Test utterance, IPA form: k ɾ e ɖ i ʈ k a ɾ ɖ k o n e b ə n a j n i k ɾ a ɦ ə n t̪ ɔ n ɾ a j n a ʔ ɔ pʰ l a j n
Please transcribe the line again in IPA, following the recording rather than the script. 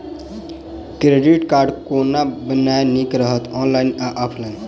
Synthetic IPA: k ɾ e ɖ i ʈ k a ɾ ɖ k o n a b ə n a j n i k ɾ ə ɦ ə t̪ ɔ n l a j n a ʔ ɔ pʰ l a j n